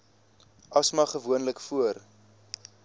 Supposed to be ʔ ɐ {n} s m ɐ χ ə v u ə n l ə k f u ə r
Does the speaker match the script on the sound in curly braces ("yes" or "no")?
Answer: no